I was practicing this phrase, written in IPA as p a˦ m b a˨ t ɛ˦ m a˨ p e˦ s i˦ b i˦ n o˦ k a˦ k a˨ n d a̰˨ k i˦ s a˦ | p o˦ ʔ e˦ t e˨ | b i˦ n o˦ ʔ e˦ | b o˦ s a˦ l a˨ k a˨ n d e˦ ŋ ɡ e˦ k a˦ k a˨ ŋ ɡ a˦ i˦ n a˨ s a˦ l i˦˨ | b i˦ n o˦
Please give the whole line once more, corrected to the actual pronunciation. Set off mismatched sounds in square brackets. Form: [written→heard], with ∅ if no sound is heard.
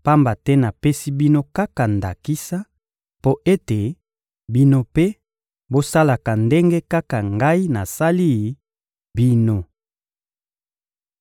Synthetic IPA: p a˦ m b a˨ t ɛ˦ [m→n] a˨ p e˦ s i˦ b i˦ n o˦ k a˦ k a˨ n d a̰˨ k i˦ s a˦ | p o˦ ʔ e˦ t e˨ | b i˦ n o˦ [ʔ→p] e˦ | b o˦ s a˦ l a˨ k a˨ n d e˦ ŋ ɡ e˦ k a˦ k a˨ ŋ ɡ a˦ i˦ n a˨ s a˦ l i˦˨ | b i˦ n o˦